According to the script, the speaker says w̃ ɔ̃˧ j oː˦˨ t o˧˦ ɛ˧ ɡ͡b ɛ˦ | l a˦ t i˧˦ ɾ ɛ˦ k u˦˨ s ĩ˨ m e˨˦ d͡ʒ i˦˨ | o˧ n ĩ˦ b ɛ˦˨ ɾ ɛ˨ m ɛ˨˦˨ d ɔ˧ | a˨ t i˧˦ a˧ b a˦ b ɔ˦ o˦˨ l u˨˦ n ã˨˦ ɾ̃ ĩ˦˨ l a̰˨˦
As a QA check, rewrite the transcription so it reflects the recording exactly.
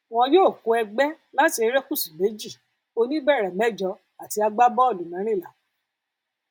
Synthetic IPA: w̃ ɔ̃˧ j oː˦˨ k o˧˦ ɛ˧ ɡ͡b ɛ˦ | l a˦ t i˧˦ ɾ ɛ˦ k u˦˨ s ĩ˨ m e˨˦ d͡ʒ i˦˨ | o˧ n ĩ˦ b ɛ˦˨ ɾ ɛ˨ m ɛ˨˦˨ d͡ʒ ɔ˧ | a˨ t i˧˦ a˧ ɡ͡b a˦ b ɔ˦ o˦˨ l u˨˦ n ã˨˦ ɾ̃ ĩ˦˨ l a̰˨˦

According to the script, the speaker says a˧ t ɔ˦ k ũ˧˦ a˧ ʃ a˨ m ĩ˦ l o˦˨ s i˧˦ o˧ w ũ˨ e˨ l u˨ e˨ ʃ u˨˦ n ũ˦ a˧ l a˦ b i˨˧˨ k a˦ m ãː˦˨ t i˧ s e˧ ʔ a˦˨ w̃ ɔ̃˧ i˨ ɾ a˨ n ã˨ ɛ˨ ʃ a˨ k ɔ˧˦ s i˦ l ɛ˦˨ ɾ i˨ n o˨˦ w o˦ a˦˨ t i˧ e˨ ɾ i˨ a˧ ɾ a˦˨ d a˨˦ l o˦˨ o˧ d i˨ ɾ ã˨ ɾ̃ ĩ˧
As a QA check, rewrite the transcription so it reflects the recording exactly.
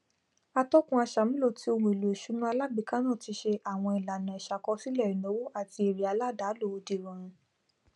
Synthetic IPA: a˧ t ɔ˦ k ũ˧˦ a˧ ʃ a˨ m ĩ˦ l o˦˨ t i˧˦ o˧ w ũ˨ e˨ l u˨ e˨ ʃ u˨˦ n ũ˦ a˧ l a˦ b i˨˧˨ k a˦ n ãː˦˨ t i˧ ʃ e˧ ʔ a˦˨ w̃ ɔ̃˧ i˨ l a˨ n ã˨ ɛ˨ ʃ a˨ k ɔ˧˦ s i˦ l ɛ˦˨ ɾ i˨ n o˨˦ w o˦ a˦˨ t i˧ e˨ ɾ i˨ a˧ l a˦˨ d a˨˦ l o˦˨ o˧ d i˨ ɾ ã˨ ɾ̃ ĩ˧

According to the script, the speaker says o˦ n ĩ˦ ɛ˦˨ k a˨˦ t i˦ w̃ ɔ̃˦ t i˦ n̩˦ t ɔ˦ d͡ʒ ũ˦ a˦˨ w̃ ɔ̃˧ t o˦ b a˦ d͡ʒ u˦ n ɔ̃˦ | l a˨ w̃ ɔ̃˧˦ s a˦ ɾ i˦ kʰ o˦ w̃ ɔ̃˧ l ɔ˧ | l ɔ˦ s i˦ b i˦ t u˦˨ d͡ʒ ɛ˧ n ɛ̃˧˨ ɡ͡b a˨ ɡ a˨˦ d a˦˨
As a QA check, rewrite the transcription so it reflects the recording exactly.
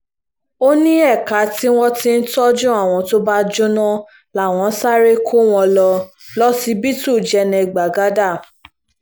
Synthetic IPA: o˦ n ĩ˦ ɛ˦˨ k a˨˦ t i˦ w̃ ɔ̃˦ t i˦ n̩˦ t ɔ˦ d͡ʒ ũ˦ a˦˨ w̃ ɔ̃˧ t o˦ b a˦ d͡ʒ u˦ n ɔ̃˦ | l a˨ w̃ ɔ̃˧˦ s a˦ ɾ e˦ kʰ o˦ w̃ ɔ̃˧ l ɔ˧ | l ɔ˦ s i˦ b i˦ t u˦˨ d͡ʒ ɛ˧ n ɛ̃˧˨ ɡ͡b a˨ ɡ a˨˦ d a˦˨

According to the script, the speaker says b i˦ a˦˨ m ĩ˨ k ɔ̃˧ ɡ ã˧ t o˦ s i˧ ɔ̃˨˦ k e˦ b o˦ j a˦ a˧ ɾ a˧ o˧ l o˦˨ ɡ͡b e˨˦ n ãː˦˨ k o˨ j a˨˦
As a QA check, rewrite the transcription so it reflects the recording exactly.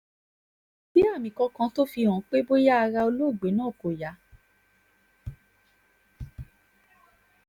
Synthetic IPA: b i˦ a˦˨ m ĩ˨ k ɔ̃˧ k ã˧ t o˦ f i˧ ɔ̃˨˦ k͡p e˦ b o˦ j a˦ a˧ ɾ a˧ o˧ l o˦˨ ɡ͡b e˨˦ n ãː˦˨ k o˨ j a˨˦

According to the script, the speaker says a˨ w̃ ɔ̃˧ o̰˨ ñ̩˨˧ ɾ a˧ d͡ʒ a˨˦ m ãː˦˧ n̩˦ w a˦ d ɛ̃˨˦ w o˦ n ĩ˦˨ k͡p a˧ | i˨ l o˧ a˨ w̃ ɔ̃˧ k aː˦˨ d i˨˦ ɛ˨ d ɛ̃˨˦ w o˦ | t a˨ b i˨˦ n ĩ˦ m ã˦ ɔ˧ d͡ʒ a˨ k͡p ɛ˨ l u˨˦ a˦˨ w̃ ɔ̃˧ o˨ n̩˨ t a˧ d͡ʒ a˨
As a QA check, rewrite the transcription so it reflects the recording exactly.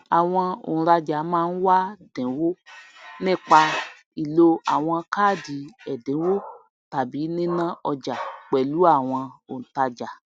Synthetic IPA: a˨ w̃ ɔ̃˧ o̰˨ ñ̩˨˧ ɾ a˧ d͡ʒ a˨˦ m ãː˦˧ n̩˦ w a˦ d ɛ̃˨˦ w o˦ n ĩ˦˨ k͡p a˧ | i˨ l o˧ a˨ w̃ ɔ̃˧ k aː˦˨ d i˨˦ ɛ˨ d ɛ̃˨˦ w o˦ | t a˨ b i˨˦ n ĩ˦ n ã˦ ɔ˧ d͡ʒ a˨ k͡p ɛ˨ l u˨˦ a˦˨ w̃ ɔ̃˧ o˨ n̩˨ t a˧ d͡ʒ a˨

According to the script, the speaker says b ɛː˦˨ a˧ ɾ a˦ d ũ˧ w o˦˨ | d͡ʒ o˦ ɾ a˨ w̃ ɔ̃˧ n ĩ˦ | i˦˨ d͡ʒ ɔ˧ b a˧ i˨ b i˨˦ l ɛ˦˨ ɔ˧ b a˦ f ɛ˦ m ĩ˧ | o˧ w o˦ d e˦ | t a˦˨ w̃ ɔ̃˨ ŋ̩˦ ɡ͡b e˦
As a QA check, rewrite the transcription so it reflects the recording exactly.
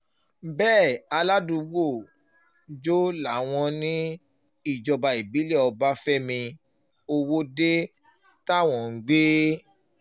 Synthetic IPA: b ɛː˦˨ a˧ l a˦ d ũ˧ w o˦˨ | d͡ʒ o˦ l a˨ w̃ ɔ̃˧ n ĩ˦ | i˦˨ d͡ʒ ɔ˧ b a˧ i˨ b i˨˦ l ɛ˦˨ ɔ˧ b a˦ f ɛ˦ m ĩ˧ | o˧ w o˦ d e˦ | t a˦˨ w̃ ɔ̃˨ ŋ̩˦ ɡ͡b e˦

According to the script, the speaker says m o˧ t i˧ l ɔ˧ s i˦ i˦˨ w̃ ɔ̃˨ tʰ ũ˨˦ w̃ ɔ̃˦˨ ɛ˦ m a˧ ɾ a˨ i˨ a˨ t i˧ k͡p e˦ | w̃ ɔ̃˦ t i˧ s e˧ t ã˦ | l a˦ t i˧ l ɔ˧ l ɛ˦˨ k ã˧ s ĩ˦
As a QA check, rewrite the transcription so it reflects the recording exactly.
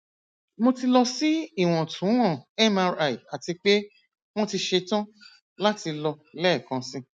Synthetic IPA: m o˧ t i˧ l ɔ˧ s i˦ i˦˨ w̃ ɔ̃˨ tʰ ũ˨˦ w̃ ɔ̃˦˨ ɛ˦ m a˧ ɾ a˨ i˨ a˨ t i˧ k͡p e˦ | w̃ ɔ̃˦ t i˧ ʃ e˧ t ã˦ | l a˦ t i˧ l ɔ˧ l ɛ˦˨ k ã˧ s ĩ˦

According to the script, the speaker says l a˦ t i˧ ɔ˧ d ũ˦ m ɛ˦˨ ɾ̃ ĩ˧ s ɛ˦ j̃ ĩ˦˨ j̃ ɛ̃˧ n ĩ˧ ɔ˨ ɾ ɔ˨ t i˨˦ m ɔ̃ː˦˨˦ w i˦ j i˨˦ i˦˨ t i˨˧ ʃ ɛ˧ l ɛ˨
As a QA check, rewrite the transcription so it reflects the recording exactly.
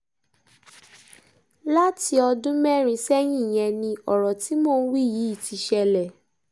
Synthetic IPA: l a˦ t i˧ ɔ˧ d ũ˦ m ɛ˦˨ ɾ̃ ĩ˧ s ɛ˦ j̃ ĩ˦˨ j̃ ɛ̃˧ n ĩ˧ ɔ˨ ɾ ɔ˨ t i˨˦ m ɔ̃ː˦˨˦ w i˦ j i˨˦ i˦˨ t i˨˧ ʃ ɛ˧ l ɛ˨

